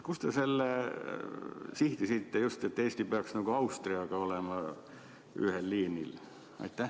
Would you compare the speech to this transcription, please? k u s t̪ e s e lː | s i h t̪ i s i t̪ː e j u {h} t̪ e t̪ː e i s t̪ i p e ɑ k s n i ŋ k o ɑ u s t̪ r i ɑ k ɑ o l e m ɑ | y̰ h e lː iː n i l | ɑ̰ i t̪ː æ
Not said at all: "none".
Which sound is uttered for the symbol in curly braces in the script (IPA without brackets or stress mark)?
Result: s